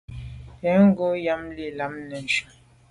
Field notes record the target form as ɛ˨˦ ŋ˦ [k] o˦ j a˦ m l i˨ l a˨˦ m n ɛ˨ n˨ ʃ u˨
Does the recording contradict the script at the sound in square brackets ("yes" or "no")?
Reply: yes